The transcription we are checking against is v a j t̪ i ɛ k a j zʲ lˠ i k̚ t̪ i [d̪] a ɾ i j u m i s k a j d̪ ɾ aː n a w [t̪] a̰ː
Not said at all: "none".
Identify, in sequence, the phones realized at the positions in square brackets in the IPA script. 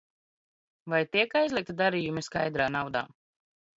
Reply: d̪, d̪

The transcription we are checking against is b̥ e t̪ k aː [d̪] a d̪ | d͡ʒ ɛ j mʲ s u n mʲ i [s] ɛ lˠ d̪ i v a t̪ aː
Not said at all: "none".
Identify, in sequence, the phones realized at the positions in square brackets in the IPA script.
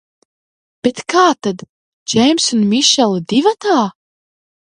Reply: t̪, ʃ

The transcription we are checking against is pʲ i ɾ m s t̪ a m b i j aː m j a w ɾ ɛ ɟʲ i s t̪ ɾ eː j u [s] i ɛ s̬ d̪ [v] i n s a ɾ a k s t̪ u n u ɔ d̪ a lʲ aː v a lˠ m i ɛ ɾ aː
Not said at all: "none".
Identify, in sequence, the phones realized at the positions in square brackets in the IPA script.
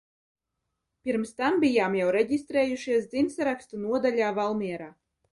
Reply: ʃ, z

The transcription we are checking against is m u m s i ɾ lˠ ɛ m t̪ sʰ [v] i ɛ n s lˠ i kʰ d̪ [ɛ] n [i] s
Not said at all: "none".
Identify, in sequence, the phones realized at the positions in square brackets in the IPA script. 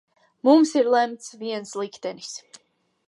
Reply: v, ɛ, i

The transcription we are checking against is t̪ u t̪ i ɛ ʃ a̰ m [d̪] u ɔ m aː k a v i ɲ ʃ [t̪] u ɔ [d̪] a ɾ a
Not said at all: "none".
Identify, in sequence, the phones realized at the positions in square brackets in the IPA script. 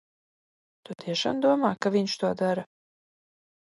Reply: d̪, t̪, d̪

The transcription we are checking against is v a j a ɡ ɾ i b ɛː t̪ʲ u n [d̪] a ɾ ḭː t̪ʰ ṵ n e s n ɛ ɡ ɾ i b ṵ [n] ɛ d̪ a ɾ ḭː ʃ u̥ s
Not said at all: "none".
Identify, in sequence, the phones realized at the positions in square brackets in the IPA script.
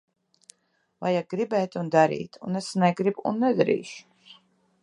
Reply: d̪, nː

